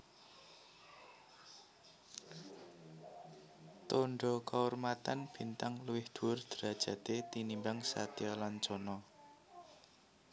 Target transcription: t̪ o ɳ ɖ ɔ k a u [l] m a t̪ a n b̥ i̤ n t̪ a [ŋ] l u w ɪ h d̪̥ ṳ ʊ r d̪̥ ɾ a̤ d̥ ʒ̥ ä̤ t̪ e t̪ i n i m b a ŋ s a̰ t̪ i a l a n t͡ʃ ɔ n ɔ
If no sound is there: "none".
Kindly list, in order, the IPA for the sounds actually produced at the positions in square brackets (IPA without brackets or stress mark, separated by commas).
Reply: r, ŋ